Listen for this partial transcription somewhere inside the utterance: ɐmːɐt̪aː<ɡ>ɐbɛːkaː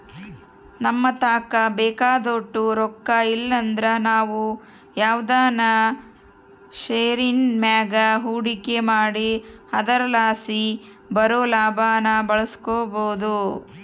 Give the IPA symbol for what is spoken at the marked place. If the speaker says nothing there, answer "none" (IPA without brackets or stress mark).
k